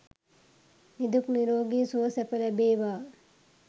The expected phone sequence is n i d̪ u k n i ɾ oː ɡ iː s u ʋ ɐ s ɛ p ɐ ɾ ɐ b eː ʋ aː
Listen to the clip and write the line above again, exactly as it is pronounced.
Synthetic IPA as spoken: n i d̪ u k n i ɾ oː ɡ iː s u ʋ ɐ s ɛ p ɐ l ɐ b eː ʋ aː